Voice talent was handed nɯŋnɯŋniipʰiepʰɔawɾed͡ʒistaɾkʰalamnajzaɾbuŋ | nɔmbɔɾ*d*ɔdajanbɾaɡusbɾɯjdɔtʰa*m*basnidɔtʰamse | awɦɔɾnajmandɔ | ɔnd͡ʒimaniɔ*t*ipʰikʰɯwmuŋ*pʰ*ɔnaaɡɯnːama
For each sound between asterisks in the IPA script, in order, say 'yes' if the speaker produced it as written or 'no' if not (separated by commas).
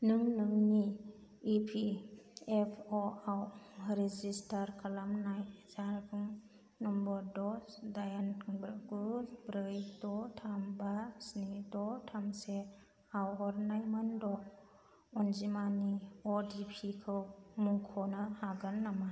yes, yes, no, no